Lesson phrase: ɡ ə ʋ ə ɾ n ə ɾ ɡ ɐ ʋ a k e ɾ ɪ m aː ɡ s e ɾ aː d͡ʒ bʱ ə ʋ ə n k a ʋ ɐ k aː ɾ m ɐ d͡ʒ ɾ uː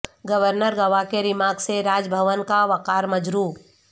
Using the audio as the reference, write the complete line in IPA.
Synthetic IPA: ɡ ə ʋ ə ɾ n ə ɾ ɡ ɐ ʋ a k e ɾ ɪ m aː ɡ s e ɾ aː d͡ʒ bʱ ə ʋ ə n k a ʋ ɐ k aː ɾ m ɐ d͡ʒ ɾ uː